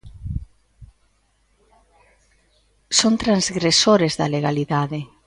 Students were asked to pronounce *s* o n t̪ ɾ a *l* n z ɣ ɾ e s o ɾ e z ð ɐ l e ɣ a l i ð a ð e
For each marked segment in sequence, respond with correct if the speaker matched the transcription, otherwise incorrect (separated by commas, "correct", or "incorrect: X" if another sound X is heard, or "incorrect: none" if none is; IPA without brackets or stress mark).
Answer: correct, incorrect: none